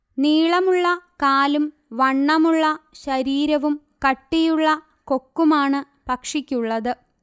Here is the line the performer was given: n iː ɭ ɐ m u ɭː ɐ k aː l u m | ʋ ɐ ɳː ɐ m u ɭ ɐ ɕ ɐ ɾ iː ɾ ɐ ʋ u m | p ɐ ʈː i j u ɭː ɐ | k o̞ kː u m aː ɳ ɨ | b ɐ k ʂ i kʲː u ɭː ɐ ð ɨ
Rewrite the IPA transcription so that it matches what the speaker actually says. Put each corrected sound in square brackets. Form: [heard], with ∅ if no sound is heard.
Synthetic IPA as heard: n iː ɭ ɐ m u ɭː ɐ k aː l u m | ʋ ɐ ɳː ɐ m u [ɭː] ɐ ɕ ɐ ɾ iː ɾ ɐ ʋ u m | [k] ɐ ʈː i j u ɭː ɐ | k o̞ kː u m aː ɳ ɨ | [p] ɐ k ʂ i kʲː u ɭː ɐ ð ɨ